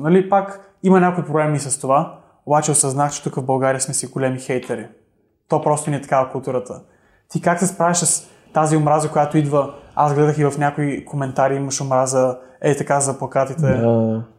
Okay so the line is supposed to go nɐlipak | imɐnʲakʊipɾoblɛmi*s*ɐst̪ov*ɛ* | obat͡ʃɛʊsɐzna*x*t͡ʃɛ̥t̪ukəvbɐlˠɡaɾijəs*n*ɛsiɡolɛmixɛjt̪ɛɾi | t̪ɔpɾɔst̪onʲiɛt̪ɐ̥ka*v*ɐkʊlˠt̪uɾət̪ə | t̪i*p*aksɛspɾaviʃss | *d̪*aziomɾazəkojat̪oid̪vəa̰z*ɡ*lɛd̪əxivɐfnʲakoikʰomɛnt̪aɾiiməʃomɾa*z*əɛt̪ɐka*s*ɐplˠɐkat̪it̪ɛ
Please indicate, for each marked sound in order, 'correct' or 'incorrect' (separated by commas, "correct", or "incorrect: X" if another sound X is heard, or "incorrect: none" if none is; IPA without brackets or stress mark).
correct, incorrect: a, correct, incorrect: m, correct, incorrect: k, incorrect: t̪, correct, correct, incorrect: z